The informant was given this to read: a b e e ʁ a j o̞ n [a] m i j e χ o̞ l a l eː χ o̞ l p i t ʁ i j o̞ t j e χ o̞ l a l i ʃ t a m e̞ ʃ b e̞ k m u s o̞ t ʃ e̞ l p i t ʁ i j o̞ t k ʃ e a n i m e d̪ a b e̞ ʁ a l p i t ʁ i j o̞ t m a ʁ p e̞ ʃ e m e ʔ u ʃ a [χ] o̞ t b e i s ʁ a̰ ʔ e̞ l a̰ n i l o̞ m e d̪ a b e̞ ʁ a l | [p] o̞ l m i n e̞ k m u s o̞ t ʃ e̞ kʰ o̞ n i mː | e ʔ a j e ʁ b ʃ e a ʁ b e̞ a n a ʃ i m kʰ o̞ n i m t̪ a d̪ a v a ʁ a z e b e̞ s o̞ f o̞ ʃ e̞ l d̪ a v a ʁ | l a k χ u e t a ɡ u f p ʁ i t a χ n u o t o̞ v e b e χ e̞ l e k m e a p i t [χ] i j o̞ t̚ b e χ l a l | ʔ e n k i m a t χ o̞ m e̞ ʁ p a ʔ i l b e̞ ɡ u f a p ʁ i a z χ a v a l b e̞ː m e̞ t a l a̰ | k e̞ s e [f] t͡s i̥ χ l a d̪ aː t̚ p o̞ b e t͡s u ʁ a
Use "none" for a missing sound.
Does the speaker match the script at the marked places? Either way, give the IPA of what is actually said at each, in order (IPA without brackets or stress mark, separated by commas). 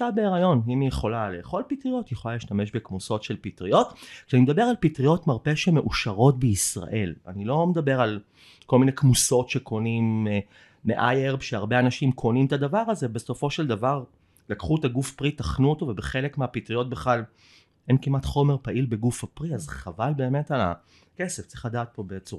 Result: i, ʁ, k, ʁ, f